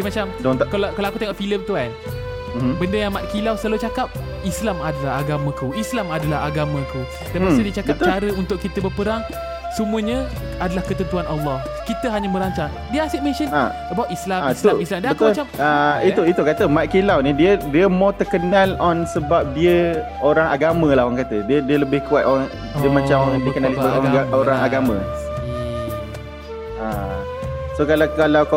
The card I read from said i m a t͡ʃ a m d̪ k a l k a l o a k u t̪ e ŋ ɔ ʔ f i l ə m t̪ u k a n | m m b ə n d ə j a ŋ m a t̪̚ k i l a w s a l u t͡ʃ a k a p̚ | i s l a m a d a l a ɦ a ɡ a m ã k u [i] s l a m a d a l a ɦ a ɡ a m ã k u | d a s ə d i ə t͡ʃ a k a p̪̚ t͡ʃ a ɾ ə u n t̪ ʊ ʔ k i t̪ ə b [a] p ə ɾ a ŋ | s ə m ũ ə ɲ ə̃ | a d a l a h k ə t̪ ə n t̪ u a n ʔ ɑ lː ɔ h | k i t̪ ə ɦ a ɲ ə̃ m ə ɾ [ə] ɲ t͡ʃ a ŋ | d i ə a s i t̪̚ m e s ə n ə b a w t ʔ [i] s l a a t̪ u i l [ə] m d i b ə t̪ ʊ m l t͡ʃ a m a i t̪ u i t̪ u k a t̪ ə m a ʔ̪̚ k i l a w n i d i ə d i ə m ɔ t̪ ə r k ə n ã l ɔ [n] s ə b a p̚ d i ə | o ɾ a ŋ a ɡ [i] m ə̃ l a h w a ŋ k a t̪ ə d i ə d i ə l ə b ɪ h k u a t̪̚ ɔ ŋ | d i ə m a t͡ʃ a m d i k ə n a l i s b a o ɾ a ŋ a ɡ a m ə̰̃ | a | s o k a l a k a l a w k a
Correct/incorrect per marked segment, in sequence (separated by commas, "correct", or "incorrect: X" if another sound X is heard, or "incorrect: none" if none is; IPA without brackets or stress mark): correct, incorrect: ə, incorrect: a, correct, incorrect: a, correct, incorrect: a